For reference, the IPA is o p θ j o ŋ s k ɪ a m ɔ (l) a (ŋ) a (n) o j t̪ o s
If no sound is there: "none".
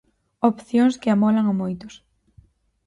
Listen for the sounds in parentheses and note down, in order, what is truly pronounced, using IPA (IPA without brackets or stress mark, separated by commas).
l, ŋ, m